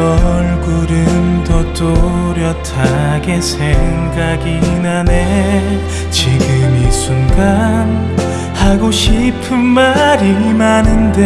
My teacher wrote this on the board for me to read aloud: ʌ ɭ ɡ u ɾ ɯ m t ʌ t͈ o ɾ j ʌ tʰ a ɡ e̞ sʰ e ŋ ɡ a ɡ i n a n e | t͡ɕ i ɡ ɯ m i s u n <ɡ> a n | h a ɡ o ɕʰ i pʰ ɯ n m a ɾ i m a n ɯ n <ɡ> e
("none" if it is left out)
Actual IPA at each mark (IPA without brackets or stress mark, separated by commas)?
ɡ, d